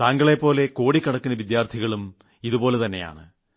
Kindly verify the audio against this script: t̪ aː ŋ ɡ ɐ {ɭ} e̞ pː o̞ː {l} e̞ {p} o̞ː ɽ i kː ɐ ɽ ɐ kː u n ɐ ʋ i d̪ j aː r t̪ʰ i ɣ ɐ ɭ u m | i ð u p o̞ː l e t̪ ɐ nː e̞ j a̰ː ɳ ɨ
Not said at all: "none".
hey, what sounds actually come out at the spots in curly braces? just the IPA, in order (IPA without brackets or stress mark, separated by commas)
ɭ, l, k